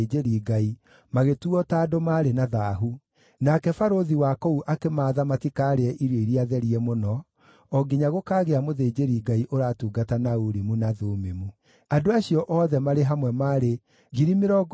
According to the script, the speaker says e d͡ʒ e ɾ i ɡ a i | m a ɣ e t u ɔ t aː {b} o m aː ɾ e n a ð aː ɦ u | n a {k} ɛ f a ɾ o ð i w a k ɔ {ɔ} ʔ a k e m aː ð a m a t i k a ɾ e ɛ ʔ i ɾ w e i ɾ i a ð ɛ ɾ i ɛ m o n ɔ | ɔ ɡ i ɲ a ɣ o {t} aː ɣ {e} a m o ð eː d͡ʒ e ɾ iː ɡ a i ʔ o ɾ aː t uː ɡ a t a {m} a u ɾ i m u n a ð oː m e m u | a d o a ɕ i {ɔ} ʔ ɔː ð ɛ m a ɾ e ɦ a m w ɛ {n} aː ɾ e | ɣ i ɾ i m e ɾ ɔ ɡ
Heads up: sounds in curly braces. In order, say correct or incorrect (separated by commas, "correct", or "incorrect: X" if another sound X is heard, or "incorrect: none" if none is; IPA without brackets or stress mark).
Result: incorrect: d, correct, incorrect: u, incorrect: k, correct, incorrect: n, correct, incorrect: m